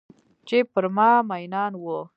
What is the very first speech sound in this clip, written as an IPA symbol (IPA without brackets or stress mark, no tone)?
t͡ʃ